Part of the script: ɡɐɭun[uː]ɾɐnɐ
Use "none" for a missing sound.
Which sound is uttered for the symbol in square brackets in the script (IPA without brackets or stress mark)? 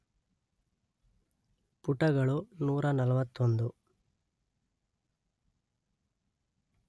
uː